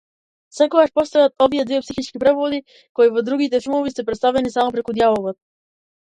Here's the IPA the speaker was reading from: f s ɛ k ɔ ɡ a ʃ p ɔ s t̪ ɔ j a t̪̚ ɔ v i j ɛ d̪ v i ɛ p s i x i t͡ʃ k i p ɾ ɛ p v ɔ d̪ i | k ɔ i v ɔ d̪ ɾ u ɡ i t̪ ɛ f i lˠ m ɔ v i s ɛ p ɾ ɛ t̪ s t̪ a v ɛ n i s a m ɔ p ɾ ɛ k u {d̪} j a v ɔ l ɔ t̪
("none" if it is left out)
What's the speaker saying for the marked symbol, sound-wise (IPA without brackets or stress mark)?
d̪